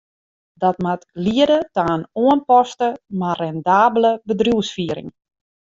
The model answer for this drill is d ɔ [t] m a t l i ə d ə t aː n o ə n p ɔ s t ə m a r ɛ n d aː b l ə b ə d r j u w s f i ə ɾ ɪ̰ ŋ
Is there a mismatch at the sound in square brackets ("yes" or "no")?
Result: no